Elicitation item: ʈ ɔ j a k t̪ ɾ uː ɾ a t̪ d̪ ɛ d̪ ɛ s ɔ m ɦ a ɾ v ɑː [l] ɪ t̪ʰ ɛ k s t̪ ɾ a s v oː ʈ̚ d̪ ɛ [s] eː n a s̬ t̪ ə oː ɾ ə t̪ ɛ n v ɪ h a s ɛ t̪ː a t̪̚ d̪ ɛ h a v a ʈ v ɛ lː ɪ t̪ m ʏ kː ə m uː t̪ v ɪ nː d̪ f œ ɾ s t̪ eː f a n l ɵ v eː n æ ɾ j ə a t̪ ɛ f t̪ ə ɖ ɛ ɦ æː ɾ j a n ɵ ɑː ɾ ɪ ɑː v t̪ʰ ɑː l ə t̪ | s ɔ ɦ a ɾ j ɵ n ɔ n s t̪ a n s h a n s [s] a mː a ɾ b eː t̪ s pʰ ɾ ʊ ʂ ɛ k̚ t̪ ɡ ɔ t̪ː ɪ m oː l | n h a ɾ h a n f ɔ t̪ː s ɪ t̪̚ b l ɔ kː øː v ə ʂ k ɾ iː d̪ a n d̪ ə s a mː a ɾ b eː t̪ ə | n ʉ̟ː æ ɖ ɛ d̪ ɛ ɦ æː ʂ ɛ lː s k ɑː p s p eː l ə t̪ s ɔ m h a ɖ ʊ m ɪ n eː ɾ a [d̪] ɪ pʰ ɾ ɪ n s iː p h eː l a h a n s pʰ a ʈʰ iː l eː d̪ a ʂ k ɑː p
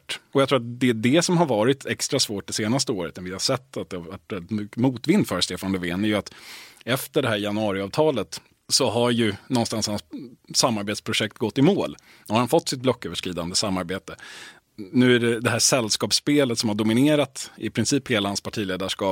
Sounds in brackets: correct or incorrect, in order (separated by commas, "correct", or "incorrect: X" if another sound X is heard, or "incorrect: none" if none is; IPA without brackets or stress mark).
incorrect: ɾ, correct, correct, incorrect: t̪